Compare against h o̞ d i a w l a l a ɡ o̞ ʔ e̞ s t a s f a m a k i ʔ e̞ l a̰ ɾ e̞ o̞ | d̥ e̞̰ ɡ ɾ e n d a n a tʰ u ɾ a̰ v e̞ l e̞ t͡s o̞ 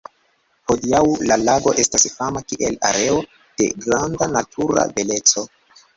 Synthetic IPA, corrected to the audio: h o̞ d i a w l a l a ɡ o̞ ʔ e̞ s t a s f a m a k i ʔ e̞ l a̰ ɾ e̞ o̞ | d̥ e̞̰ ɡ ɾ a n d a n a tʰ u ɾ a̰ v e̞ l e̞ t͡s o̞